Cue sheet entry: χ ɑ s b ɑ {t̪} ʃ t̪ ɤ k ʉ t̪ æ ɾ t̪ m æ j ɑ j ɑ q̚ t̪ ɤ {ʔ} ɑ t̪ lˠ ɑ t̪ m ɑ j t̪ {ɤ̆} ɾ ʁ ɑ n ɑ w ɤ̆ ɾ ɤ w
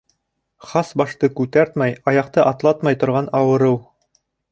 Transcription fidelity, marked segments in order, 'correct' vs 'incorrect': incorrect: none, correct, incorrect: ŏ

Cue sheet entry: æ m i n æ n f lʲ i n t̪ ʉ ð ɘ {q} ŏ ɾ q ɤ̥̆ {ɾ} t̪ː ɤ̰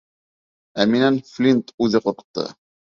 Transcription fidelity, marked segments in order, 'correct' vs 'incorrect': correct, incorrect: none

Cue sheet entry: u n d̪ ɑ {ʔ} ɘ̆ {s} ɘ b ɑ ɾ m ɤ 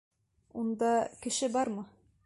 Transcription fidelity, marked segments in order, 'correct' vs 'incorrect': incorrect: k, incorrect: ʃ

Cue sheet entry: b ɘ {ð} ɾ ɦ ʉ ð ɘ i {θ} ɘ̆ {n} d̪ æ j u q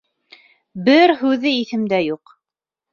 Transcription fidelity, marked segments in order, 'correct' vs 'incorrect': incorrect: none, correct, incorrect: m

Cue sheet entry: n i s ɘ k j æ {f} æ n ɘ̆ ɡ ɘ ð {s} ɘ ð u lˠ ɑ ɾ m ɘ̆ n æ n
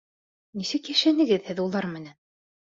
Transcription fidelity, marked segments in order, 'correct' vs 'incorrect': incorrect: ʃ, incorrect: h

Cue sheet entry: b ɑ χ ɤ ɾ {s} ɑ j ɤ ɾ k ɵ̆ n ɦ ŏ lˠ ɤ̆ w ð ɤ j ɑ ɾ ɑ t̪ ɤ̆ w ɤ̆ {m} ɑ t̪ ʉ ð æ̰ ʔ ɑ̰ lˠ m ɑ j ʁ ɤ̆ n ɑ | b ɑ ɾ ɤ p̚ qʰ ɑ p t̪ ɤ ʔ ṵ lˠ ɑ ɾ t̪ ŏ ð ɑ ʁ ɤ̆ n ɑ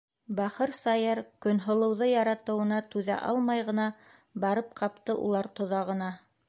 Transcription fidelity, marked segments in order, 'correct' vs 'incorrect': correct, incorrect: n

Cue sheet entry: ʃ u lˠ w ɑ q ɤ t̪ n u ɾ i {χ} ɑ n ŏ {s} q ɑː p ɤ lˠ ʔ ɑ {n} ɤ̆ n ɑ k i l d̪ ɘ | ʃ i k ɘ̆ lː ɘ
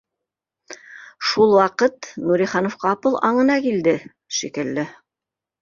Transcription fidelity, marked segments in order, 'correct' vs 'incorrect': correct, incorrect: f, incorrect: ɴ

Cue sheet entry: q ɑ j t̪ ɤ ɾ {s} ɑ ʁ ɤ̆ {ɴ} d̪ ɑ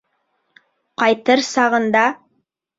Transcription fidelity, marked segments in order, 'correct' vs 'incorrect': correct, incorrect: n

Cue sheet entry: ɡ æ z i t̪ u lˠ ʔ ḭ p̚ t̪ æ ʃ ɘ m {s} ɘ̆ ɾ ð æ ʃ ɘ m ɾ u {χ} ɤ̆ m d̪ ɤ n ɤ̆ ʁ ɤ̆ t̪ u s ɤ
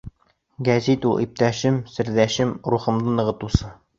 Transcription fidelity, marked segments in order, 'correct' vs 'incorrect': correct, correct

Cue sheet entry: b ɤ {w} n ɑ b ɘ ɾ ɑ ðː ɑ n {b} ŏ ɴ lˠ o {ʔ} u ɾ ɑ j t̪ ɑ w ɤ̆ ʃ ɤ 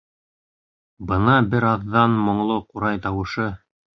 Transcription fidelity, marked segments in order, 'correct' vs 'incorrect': incorrect: none, incorrect: m, incorrect: q

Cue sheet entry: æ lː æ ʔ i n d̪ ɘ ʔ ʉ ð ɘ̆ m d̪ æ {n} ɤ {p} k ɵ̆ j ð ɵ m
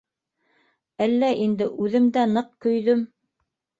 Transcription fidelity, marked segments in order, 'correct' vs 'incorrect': correct, incorrect: q

